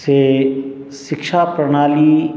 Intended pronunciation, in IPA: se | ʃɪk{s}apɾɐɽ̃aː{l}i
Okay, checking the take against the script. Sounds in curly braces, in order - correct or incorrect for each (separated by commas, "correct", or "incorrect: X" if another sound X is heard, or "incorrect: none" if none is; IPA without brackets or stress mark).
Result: incorrect: ʃ, correct